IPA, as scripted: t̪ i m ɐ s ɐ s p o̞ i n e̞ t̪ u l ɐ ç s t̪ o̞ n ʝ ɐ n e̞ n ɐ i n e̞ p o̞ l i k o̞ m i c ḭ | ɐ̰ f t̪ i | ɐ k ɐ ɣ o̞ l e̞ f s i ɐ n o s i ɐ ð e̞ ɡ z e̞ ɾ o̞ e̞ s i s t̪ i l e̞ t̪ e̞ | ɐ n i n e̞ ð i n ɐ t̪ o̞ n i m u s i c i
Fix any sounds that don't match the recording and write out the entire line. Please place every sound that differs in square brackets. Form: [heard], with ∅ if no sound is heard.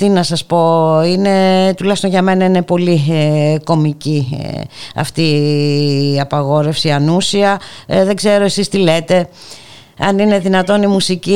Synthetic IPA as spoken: t̪ i [n] ɐ s ɐ s p o̞ i n e̞ t̪ u l ɐ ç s t̪ o̞ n ʝ ɐ [m] e̞ n ɐ i n e̞ p o̞ l i k o̞ m i c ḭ | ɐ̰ f t̪ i | ɐ [p] ɐ ɣ o̞ [ɾ] e̞ f s i ɐ n [u] s i ɐ ð e̞ ɡ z e̞ ɾ o̞ e̞ s i s t̪ i l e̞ t̪ e̞ | ɐ n i n e̞ ð i n ɐ t̪ o̞ n i m u s i c i